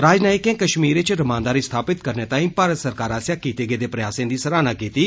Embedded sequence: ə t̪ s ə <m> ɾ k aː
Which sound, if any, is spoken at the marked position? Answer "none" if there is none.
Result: none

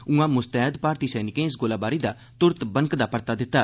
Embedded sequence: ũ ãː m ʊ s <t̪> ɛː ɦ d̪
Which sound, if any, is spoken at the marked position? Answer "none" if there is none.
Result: t̪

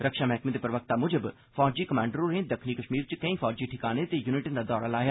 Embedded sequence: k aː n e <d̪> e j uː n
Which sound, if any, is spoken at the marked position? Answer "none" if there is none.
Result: t̪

